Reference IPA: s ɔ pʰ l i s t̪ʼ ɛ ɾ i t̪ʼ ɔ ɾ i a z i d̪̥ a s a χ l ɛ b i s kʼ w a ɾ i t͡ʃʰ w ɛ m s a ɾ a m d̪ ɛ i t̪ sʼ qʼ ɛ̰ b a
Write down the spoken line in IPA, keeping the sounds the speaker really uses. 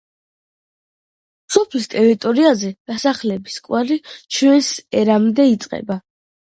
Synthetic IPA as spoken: s ɔ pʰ l i s t̪ʼ ɛ ɾ i t̪ʼ ɔ ɾ i a z ɛ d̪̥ a s a χ l ɛ b i s kʼ w a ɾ i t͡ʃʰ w ɛ n s ɛ ɾ a m d̪ ɛ i t̪ sʼ qʼ ɛ̰ b a